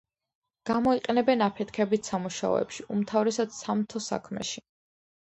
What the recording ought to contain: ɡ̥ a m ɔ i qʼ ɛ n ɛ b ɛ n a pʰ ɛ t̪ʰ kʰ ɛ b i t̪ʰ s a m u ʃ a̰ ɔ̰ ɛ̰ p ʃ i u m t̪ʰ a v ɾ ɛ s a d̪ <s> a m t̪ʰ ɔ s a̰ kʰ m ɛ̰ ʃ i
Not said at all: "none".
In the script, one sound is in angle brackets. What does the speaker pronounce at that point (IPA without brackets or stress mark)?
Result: s